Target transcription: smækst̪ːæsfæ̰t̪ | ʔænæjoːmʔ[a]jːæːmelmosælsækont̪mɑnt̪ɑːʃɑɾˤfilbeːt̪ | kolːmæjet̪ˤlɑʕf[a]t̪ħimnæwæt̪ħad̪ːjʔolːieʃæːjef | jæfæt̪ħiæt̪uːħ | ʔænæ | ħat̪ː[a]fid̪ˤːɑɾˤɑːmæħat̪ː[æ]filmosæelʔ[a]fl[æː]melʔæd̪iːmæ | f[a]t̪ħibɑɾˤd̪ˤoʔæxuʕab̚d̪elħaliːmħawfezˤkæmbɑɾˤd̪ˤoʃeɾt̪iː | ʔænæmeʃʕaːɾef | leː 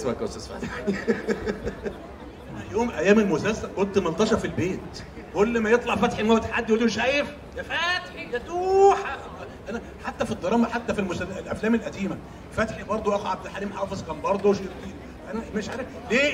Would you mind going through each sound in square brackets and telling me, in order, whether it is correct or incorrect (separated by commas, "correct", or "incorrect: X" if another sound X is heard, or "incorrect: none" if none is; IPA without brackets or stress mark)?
incorrect: æ, incorrect: æ, incorrect: æ, correct, incorrect: æ, correct, incorrect: æ